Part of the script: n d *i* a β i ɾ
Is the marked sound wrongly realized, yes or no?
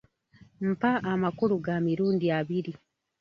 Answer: no